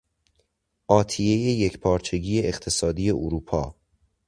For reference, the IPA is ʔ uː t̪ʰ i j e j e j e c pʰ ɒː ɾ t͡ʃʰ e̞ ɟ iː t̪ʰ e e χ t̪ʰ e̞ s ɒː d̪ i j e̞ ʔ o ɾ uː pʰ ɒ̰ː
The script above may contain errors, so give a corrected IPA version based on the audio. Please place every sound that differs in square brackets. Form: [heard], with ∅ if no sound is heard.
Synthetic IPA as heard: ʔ [ɒː] t̪ʰ i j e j e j e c pʰ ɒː ɾ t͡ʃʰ e̞ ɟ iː [∅] e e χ t̪ʰ e̞ s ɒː d̪ i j e̞ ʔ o ɾ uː pʰ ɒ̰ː